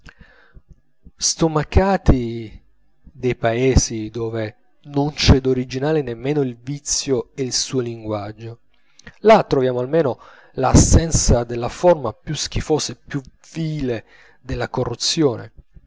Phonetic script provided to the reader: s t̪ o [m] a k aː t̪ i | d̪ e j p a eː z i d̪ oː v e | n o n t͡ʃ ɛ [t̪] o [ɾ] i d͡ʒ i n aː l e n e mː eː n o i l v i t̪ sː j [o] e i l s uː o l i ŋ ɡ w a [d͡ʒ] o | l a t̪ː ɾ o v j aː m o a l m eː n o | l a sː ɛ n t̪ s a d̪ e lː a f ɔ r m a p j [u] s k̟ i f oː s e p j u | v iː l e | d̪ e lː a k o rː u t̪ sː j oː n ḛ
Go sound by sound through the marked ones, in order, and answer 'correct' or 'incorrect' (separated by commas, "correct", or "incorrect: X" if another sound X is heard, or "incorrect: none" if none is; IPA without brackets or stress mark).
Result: correct, incorrect: d̪, correct, correct, incorrect: d͡ʒː, correct